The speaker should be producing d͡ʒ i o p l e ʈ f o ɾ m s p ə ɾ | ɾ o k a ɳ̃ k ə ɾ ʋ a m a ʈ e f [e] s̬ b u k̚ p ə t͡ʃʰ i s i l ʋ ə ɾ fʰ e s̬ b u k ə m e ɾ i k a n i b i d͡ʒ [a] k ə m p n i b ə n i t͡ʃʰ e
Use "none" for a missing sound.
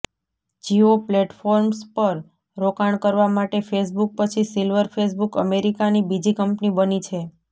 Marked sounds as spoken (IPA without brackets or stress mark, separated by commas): e, i